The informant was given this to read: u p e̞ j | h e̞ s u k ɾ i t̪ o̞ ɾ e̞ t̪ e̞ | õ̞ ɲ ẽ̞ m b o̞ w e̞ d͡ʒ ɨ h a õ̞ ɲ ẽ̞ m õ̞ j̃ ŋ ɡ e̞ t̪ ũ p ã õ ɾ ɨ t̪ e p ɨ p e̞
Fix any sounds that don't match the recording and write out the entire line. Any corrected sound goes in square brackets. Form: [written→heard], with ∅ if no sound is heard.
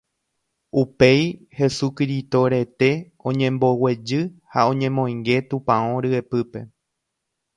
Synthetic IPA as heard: u p e̞ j | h e̞ s u k ɾ i t̪ o̞ ɾ e̞ t̪ e̞ | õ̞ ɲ ẽ̞ m b o̞ w e̞ d͡ʒ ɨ h a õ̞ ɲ ẽ̞ m õ̞ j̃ ŋ ɡ e̞ t̪ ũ p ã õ ɾ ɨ [t̪→∅] e p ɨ p e̞